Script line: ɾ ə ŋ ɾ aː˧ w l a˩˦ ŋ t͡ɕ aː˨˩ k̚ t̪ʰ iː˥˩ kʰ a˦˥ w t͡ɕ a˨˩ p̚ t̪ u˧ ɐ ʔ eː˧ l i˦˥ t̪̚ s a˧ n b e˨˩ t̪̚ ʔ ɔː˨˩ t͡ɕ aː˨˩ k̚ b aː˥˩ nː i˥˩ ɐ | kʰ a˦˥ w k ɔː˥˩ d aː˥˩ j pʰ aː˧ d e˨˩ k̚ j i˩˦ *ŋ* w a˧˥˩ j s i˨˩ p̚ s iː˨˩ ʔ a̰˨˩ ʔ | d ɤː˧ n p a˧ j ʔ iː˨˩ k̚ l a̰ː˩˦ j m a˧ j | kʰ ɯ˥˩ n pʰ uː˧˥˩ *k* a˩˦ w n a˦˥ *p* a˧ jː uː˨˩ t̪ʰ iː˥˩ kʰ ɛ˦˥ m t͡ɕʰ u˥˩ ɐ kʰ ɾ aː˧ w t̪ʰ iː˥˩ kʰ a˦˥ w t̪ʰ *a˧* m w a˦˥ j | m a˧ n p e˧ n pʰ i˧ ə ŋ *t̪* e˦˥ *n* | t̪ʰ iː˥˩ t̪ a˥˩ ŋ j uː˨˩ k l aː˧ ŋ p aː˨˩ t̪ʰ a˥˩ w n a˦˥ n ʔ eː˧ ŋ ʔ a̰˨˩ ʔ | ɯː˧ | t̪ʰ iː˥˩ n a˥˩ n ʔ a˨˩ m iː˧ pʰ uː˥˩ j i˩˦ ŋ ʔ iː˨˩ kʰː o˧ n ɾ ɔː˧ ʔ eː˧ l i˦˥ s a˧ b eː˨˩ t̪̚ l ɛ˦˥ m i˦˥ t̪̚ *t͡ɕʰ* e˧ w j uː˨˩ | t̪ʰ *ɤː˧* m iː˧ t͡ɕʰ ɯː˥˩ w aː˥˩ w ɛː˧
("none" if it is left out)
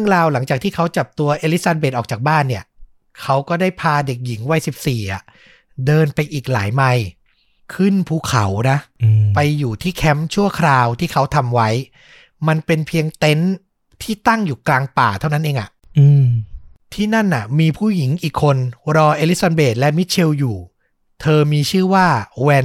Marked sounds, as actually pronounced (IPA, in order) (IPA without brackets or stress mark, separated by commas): ŋ, kʰ, p, a˧, t̪, n, t͡ɕʰ, ɤː˧